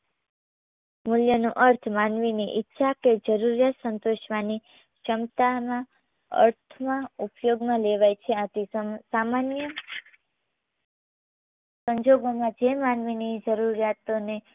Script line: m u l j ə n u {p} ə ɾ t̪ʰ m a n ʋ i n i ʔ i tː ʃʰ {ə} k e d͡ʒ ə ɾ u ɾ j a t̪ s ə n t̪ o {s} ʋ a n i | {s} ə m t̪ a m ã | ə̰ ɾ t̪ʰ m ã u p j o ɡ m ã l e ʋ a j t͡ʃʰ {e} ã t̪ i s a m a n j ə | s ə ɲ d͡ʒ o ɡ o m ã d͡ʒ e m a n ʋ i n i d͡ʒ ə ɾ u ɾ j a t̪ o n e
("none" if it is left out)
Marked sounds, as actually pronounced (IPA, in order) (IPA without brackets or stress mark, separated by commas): ʔ, a, ʃ, ʃ, e